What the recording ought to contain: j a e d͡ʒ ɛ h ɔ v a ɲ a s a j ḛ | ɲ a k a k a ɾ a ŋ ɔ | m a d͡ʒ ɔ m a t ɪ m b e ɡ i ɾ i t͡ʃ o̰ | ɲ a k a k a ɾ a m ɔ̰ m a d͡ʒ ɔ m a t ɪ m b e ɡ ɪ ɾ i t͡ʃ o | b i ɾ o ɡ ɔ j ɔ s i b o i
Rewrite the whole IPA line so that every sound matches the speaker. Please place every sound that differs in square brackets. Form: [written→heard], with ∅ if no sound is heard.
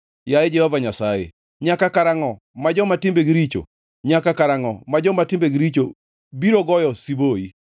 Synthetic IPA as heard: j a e d͡ʒ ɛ h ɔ v a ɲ a s a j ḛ | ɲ a k a k a ɾ a ŋ ɔ | m a d͡ʒ ɔ m a t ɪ m b e ɡ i ɾ i t͡ʃ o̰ | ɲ a k a k a ɾ a [m→ŋ] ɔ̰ m a d͡ʒ ɔ m a t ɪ m b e ɡ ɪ ɾ i t͡ʃ o | b i ɾ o ɡ ɔ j ɔ s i b o i